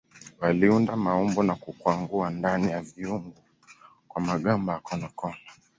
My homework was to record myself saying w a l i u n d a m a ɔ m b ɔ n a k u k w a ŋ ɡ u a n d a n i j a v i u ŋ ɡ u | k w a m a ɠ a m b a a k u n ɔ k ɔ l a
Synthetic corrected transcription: w a l i u n d a m a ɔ m b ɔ n a k u k w a ŋ ɡ u a n d a n i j a v i u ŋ ɡ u | k w a m a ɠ a m b a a k ɔ n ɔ k ɔ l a